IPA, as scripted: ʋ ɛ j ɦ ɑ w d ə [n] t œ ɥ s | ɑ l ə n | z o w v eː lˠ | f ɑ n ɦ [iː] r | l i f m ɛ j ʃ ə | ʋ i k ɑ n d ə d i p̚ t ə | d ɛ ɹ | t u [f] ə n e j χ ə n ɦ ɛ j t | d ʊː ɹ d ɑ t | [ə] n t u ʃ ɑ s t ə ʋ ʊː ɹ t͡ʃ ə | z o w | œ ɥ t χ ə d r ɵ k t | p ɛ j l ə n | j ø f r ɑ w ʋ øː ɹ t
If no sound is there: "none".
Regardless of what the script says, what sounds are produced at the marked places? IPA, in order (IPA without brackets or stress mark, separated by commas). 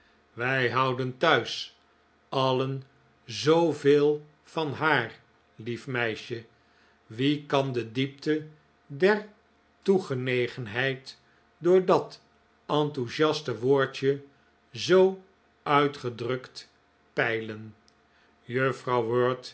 n, aː, χ, ɑ